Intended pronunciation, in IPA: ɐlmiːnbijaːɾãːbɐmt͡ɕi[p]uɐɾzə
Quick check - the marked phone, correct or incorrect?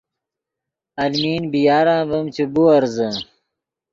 incorrect